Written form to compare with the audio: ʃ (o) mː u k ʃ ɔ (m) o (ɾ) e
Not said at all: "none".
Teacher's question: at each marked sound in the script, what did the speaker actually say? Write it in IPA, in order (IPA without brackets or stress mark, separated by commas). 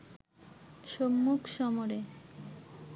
o, m, ɾ